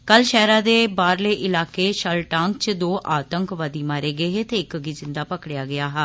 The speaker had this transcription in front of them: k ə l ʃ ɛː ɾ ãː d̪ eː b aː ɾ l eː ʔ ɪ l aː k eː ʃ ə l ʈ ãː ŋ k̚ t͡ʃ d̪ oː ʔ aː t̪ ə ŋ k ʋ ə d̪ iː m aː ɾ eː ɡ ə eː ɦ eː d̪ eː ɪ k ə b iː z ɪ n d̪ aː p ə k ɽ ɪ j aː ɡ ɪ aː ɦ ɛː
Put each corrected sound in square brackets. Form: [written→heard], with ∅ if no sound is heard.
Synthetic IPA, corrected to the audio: k ə l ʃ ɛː ɾ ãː d̪ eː b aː ɾ l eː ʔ ɪ l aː k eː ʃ ə l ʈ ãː ŋ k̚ t͡ʃ d̪ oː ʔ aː t̪ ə ŋ k ʋ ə d̪ iː m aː ɾ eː ɡ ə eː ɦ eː [d̪→t̪] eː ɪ k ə [b→ɡ] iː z ɪ n d̪ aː p ə k ɽ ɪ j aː ɡ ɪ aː ɦ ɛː